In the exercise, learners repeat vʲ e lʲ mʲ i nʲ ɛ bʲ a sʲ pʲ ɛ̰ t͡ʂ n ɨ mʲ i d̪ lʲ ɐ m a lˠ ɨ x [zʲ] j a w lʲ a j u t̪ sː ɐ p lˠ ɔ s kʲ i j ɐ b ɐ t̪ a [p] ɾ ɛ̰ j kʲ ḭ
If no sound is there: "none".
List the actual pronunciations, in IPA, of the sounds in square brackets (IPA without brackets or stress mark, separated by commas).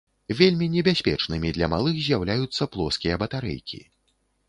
zʲ, none